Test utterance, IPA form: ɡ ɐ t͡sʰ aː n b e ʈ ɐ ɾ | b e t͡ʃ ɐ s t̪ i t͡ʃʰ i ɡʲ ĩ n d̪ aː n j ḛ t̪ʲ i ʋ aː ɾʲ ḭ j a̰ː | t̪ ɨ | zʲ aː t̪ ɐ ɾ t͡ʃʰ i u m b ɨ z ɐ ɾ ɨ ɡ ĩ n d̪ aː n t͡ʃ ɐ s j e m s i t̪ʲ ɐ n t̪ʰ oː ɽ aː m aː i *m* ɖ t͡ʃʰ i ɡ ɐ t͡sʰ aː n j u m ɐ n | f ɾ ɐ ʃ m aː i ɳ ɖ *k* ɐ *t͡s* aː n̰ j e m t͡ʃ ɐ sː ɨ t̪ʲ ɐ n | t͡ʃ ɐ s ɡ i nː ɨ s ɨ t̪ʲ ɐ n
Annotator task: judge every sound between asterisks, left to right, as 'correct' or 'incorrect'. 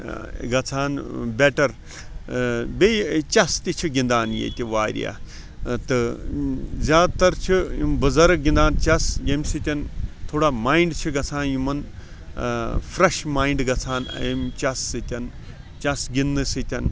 incorrect, incorrect, incorrect

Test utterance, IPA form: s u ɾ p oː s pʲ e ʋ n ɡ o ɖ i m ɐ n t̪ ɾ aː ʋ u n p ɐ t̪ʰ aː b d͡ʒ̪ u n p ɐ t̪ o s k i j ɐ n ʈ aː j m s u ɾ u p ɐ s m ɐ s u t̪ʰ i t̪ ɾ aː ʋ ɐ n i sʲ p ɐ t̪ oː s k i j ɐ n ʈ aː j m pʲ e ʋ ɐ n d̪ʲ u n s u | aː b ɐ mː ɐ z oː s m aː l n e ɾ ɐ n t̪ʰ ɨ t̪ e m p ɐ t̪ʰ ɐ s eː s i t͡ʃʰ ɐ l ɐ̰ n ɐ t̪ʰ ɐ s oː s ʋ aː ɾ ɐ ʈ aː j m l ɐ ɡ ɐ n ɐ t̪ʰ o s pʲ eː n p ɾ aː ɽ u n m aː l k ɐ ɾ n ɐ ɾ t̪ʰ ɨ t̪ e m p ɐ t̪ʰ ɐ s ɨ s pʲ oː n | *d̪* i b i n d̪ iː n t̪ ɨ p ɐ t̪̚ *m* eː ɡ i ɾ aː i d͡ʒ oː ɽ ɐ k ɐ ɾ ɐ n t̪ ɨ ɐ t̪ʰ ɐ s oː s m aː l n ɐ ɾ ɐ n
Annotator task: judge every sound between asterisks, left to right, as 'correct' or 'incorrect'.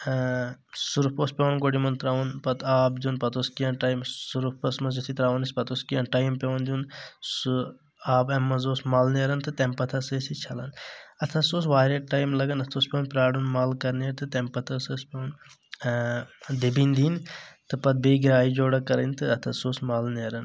correct, incorrect

